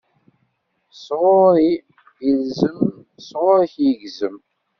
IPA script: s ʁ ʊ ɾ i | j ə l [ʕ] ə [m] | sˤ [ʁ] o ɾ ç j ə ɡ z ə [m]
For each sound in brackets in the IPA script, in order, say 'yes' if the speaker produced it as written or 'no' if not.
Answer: no, yes, yes, yes

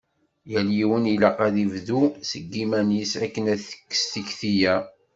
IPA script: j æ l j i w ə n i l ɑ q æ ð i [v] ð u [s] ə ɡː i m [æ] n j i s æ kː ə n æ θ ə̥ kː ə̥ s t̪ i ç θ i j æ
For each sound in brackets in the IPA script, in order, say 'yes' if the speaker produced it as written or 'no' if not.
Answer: yes, yes, yes

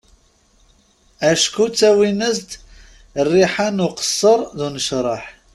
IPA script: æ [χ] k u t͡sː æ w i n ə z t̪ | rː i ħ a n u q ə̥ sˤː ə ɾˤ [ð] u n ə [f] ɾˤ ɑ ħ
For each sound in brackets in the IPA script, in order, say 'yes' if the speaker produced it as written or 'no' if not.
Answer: no, yes, no

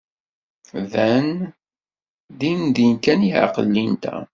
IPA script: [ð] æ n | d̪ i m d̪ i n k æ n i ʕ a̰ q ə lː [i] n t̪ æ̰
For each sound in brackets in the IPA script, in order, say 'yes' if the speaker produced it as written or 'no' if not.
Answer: yes, yes

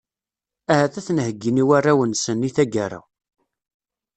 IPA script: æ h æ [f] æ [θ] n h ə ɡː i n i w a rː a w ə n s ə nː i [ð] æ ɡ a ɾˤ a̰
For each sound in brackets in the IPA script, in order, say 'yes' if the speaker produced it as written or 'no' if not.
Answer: no, yes, no

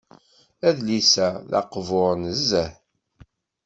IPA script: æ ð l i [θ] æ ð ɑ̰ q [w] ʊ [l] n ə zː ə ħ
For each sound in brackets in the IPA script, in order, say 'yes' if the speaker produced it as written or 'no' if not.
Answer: no, no, no

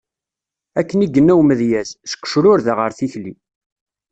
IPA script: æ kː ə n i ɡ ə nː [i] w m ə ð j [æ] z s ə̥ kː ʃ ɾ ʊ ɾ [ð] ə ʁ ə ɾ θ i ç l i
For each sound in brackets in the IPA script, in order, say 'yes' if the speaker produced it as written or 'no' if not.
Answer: no, yes, yes

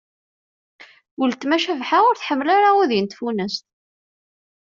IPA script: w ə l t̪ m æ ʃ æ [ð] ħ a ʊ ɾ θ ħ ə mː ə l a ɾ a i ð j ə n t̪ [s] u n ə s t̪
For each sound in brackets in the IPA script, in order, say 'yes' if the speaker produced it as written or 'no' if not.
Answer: no, no

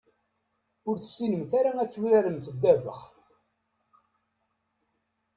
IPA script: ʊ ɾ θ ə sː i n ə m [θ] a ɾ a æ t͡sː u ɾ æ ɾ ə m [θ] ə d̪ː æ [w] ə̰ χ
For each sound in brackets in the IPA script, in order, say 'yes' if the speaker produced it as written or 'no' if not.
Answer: yes, yes, no

